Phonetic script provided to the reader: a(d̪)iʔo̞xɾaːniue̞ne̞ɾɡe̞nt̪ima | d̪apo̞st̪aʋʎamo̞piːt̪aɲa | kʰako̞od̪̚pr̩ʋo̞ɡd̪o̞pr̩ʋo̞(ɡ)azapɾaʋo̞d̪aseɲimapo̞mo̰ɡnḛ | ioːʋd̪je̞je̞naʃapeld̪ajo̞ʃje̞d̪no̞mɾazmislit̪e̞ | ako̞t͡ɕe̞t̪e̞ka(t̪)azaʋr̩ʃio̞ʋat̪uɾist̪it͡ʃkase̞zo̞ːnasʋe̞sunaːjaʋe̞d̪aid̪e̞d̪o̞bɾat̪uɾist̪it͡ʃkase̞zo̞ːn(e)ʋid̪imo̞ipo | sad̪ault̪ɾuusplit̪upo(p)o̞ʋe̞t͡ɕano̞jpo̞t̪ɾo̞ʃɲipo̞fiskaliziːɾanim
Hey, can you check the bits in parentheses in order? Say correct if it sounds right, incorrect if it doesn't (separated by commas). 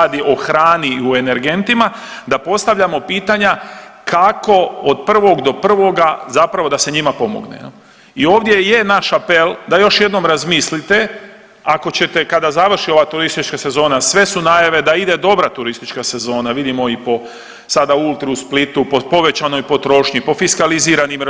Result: correct, correct, incorrect, incorrect, correct